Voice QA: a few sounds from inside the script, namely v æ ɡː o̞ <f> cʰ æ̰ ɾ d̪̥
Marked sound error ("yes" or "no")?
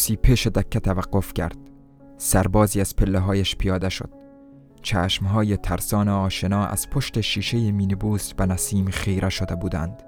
no